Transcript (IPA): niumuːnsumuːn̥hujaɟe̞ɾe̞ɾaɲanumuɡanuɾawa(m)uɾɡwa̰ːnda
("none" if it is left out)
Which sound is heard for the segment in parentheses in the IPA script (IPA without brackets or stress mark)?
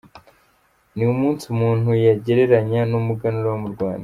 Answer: m